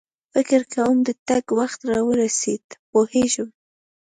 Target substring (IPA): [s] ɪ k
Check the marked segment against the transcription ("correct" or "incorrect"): incorrect